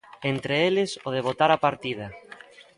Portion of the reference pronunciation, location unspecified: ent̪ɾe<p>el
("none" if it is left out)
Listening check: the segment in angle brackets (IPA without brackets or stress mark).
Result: none